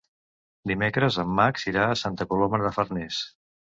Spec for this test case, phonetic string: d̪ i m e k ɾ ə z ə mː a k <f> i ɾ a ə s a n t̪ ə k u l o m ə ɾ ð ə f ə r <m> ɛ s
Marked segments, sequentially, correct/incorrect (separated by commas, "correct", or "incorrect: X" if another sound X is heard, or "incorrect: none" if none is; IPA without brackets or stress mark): incorrect: s, incorrect: n